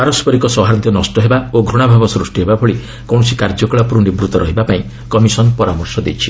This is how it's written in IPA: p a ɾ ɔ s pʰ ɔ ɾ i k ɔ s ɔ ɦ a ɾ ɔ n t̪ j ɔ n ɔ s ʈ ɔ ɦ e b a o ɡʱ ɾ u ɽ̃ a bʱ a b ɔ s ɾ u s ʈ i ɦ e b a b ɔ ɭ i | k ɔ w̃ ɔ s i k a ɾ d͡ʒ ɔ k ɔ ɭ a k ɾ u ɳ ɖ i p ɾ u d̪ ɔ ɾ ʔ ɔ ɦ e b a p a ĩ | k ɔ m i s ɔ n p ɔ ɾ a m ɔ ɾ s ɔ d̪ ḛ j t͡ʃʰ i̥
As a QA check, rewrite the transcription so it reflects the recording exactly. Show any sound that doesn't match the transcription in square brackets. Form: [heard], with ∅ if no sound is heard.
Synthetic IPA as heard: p a ɾ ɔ s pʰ ɔ ɾ i k ɔ s ɔ ɦ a ɾ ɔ n t̪ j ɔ n ɔ s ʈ ɔ ɦ e b a o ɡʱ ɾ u ɽ̃ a bʱ a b ɔ s ɾ u s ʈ i ɦ e b a b ɔ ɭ i | k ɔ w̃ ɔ s i k a ɾ d͡ʒ ɔ k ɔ ɭ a [p] ɾ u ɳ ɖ i [b] ɾ u [t̪] ɔ ɾ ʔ ɔ ɦ [i] b a p a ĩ | k ɔ m i s ɔ n p ɔ ɾ a m ɔ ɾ s ɔ d̪ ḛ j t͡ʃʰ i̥